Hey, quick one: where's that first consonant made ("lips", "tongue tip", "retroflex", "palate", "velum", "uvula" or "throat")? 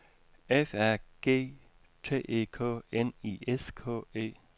lips